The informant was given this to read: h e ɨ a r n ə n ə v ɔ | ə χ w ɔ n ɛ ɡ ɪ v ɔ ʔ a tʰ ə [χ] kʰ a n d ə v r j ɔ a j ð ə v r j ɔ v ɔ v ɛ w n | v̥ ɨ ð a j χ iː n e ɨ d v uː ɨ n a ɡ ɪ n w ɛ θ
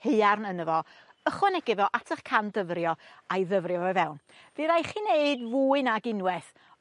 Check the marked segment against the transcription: correct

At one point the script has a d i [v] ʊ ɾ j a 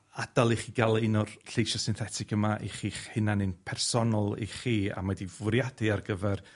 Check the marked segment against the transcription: correct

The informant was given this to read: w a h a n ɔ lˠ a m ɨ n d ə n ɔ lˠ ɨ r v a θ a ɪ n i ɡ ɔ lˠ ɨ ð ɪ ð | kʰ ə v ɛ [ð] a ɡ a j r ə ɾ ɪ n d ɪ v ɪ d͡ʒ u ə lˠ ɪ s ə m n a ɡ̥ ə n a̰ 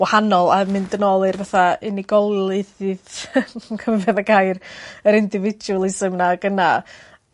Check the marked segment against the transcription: correct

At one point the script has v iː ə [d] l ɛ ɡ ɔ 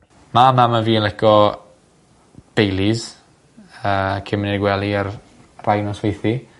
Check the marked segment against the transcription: incorrect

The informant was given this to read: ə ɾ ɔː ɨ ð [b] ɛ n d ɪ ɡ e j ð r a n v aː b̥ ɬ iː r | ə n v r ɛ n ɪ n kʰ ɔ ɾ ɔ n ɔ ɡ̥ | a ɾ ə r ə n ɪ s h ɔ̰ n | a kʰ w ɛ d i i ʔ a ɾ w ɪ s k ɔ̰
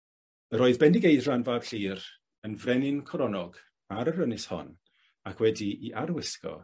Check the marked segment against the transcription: correct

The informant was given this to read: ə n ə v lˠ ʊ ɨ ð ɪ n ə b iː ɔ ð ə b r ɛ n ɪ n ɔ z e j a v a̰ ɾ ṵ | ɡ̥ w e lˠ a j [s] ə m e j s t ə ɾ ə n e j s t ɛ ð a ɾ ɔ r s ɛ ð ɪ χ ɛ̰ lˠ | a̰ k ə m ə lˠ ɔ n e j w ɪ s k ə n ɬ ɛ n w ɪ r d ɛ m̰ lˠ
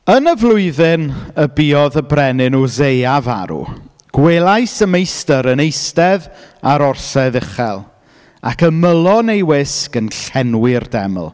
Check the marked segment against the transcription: correct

